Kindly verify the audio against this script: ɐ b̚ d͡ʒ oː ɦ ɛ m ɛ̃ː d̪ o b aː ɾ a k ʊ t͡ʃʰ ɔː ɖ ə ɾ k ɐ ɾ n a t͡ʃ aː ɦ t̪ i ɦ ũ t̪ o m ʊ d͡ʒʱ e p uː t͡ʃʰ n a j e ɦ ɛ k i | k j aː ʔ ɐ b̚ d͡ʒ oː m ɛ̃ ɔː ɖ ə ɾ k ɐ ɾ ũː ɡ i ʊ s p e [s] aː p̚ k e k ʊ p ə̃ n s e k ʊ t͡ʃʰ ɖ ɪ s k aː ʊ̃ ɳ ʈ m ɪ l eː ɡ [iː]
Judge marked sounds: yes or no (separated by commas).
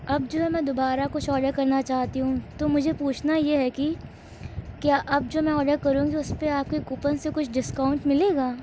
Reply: no, no